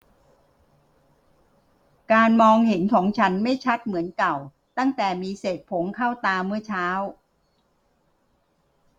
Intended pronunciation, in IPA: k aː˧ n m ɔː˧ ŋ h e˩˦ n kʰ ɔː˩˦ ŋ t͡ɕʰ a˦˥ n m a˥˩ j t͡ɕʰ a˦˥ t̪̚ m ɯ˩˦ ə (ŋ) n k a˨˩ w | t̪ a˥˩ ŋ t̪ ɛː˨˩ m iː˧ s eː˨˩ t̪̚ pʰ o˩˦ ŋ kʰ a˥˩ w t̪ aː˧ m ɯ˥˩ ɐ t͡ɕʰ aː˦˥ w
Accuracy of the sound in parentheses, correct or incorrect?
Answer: incorrect